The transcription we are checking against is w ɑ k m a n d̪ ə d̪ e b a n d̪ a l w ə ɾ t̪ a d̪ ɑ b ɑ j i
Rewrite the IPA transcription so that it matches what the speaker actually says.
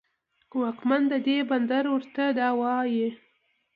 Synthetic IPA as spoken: w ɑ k m a n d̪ ə d̪ e b a n d̪ a ɾ w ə ɾ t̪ a d̪ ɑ w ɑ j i